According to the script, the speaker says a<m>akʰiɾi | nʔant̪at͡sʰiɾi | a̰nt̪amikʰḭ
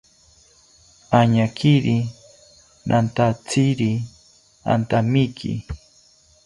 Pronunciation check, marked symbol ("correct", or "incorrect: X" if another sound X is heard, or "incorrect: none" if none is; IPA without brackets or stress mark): incorrect: ɲ